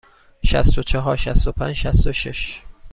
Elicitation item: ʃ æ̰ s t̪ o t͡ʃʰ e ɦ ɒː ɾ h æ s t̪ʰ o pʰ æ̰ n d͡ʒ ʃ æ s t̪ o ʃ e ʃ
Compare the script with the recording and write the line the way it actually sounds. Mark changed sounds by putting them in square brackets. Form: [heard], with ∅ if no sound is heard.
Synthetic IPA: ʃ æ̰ s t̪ o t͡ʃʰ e ɦ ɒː ɾ [ʃ] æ s [t̪] o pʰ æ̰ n d͡ʒ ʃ æ s t̪ o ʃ e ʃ